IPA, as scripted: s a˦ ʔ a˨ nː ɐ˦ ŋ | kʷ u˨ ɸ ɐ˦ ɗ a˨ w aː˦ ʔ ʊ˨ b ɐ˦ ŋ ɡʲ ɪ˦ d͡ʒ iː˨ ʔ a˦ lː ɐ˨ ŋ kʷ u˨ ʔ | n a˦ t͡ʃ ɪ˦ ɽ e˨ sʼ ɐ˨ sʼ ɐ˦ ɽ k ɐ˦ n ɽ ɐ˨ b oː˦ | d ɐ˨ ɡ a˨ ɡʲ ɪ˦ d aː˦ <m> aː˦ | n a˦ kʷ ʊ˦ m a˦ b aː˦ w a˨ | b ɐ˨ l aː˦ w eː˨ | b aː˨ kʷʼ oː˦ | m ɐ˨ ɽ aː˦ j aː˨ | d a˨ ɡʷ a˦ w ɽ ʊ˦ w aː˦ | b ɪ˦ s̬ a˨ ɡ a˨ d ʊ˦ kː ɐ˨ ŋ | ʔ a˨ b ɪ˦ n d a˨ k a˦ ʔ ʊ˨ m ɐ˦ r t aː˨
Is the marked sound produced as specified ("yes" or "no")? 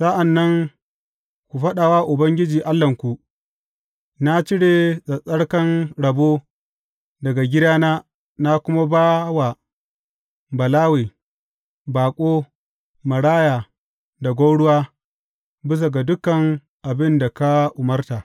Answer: no